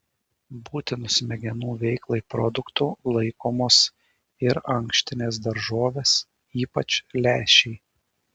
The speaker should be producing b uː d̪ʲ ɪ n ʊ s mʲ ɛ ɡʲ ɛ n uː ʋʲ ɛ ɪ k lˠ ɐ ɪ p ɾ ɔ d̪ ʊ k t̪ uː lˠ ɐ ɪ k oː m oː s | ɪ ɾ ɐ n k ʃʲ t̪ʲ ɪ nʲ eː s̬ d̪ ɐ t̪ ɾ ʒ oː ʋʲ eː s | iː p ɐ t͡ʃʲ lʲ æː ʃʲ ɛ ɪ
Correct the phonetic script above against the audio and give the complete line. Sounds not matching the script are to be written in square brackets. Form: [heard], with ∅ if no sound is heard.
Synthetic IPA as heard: b uː [t̪ʲ] ɪ n ʊ s mʲ ɛ ɡʲ ɛ n uː ʋʲ ɛ ɪ k lˠ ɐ ɪ p ɾ ɔ d̪ ʊ k t̪ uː lˠ ɐ ɪ k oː m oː s | ɪ ɾ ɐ [ŋ] k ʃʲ t̪ʲ ɪ nʲ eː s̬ d̪ ɐ [∅] ɾ ʒ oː ʋʲ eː s | iː p ɐ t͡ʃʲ lʲ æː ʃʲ ɛ ɪ